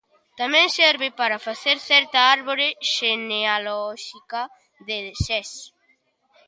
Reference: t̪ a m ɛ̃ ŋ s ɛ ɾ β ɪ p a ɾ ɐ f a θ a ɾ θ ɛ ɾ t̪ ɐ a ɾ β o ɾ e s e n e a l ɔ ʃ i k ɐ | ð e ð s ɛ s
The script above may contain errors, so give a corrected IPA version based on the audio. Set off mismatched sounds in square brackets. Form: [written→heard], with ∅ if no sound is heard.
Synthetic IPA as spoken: t̪ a m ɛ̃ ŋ s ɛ ɾ β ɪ p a ɾ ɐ f a θ [a→e] ɾ θ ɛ ɾ t̪ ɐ a ɾ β o ɾ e [s→ʃ] e n e a l ɔ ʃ i k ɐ | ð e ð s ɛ s